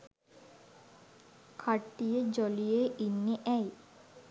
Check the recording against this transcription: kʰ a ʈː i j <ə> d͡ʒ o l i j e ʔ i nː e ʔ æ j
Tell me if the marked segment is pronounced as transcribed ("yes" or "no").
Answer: yes